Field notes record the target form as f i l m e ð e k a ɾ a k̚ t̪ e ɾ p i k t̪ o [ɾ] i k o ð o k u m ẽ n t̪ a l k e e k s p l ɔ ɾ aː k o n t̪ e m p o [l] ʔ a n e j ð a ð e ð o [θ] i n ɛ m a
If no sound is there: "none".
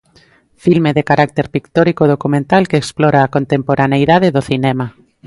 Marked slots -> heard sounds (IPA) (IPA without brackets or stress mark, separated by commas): ɾ, ɾ, θ